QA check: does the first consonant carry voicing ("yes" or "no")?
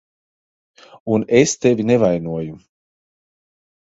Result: yes